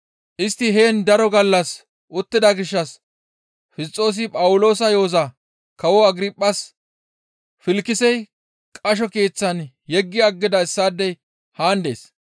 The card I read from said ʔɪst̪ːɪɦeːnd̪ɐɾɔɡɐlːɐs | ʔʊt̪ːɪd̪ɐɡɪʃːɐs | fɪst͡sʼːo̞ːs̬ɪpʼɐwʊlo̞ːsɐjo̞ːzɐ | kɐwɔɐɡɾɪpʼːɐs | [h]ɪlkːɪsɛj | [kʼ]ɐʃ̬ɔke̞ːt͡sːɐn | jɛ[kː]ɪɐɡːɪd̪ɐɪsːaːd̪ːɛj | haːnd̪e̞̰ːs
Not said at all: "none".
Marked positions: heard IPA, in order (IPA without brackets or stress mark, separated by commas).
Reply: f, kʼ, ɡː